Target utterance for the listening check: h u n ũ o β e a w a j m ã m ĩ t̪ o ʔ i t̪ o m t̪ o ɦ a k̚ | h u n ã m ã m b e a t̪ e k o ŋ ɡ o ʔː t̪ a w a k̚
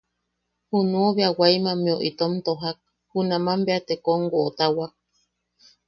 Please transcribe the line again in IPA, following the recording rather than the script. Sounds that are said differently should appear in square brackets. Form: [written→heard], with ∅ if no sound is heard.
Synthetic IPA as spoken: h u n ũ o β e a w a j m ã m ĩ [t̪→∅] o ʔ i t̪ o m t̪ o ɦ a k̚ | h u n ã m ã m b e a t̪ e k o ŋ ɡ o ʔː t̪ a w a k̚